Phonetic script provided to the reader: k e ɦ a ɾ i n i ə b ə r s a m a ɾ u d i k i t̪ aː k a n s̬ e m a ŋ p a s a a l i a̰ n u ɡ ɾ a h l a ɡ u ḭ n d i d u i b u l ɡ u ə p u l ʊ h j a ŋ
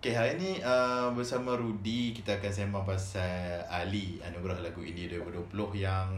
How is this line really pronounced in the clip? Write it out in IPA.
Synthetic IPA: k e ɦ a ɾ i n i ə b ə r s a m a ɾ u d i k i t̪ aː k a n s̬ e m a ŋ p a s a a l i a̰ n u ɡ ɾ a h l a ɡ u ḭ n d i d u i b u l d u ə p u l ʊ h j a ŋ